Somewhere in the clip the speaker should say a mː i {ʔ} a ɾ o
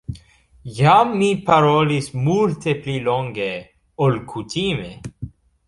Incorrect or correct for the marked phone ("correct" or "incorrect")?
incorrect